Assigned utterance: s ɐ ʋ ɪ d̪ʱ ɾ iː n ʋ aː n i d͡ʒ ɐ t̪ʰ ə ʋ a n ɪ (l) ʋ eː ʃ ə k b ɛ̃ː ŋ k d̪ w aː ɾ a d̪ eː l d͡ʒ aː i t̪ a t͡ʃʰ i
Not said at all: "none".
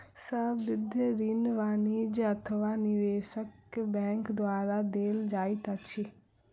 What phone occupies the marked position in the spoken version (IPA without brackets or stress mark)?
none